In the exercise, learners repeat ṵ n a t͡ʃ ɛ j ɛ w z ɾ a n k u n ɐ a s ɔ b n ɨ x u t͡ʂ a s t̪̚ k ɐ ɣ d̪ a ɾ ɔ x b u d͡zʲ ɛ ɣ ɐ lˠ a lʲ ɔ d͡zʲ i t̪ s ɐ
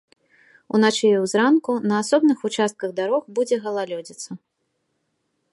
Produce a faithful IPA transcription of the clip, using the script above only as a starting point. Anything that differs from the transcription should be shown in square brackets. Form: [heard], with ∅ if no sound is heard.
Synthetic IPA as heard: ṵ n a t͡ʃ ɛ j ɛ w z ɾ a n k u n ɐ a s ɔ b n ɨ x u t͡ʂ a s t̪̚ k ɐ ɣ d̪ a ɾ ɔ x b u d͡zʲ ɛ ɣ ɐ lˠ a lʲ ɔ d͡zʲ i t̪ s ɐ

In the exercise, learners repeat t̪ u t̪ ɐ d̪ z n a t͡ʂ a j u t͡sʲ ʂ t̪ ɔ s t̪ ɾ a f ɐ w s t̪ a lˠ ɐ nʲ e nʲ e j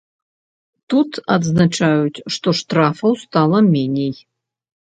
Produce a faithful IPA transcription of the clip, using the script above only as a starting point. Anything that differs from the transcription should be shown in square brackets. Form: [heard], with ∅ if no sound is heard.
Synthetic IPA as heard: t̪ u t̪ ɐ d̪ z n a t͡ʂ a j u t͡sʲ ʂ t̪ ɔ [ʂ] t̪ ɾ a f ɐ w s t̪ a lˠ ɐ [mʲ] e nʲ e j

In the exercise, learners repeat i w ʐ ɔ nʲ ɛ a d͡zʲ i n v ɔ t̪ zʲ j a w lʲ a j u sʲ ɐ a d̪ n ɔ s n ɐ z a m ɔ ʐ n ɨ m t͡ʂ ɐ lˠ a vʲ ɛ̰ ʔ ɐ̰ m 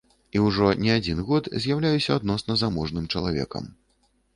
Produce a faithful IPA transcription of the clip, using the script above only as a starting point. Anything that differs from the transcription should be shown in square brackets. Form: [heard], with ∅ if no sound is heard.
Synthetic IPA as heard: i w ʐ ɔ nʲ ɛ a d͡zʲ i n [ɣ] ɔ t̪ zʲ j a w lʲ a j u sʲ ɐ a d̪ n ɔ s n ɐ z a m ɔ ʐ n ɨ m t͡ʂ ɐ lˠ a vʲ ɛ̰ [k] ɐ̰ m

